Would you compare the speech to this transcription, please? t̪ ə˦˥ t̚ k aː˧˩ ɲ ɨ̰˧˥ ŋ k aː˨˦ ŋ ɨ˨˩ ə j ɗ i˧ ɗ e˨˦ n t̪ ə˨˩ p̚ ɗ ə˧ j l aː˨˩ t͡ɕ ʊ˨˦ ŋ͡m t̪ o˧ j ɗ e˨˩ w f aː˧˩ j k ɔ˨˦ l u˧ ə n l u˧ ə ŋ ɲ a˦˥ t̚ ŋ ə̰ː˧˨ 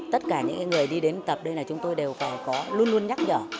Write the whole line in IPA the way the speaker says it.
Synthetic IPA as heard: t̪ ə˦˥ t̚ k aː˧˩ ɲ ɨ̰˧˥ ŋ k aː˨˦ ŋ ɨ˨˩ ə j ɗ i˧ ɗ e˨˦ n t̪ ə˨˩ p̚ ɗ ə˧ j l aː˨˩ t͡ɕ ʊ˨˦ ŋ͡m t̪ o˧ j ɗ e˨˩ w f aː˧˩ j k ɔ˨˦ l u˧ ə n l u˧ ə n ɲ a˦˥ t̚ ɲ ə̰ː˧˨